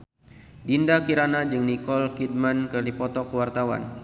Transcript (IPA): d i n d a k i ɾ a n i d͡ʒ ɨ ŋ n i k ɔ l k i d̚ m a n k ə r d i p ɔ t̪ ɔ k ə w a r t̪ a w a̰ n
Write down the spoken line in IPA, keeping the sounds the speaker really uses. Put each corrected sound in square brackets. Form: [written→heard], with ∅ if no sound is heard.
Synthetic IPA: d i n d a k i ɾ a n [i→a] d͡ʒ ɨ ŋ n i k ɔ l k i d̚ m a n k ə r d i p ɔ t̪ ɔ k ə w a r t̪ a w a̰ n

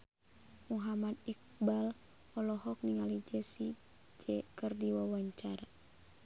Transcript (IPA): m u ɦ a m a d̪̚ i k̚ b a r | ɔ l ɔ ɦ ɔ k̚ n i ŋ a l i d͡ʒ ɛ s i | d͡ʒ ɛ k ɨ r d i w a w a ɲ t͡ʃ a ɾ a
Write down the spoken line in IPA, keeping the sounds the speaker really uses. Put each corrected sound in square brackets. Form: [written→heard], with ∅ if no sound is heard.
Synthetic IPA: m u ɦ a m a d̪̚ i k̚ b a [r→l] | ɔ l ɔ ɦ ɔ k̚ n i ŋ a l i d͡ʒ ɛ s i | d͡ʒ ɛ k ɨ r d i w a w a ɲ t͡ʃ a ɾ a

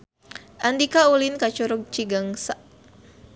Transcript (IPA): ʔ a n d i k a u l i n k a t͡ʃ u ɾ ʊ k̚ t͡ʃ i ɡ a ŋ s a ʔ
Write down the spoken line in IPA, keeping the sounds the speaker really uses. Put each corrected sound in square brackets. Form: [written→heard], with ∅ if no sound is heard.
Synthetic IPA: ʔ a n d i k a u l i n k a t͡ʃ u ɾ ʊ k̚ t͡ʃ i ɡ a ŋ s a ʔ

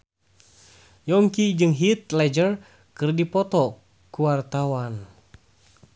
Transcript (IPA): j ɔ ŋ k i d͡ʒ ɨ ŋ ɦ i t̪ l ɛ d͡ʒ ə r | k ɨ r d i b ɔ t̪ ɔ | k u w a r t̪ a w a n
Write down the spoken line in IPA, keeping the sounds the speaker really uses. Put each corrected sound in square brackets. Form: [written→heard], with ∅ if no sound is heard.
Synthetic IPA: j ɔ ŋ k i d͡ʒ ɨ ŋ ɦ i t̪ l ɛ d͡ʒ ə r | k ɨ r d i [b→p] ɔ t̪ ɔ | k u w a r t̪ a w a n

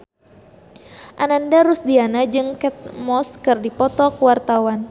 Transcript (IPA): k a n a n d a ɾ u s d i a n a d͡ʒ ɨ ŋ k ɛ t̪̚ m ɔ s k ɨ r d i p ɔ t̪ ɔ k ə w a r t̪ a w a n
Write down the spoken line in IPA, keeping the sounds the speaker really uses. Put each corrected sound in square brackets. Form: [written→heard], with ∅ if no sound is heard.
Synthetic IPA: [k→ʔ] a n a n d a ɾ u s d i a n a d͡ʒ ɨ ŋ k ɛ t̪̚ m ɔ s k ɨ r d i p ɔ t̪ ɔ k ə w a r t̪ a w a n

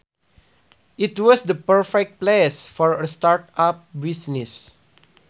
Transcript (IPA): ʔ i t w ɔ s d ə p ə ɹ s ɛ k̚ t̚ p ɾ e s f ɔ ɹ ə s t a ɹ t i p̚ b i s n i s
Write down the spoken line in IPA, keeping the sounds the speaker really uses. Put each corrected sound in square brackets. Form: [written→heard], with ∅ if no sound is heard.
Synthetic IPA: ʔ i t w ɔ s d ə p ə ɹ [s→f] ɛ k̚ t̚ p [ɾ→l] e s f ɔ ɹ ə s t a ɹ t [i→a] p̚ b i s n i s

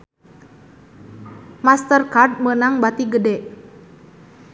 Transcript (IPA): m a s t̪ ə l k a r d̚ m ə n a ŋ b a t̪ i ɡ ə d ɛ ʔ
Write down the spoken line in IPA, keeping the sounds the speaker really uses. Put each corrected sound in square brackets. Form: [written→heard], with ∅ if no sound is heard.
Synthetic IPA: m a s t̪ ə [l→r] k a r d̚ m ə n a ŋ b a t̪ i ɡ ə d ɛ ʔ

